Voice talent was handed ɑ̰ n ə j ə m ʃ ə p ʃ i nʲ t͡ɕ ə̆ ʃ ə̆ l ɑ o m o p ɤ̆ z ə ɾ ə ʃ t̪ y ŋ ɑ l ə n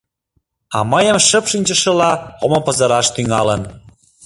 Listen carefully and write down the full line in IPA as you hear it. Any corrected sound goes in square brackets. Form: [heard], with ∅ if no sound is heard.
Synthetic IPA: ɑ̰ [m] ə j ə m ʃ ə p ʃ i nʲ t͡ɕ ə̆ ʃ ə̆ l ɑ o m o p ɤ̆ z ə ɾ [ɑ] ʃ t̪ y ŋ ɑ l ə n